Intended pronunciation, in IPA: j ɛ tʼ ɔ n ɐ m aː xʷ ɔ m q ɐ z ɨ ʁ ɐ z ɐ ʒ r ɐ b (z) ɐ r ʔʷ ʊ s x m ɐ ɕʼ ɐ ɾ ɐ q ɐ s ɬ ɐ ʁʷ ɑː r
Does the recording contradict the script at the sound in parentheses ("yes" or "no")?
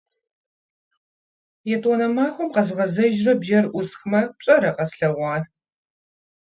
yes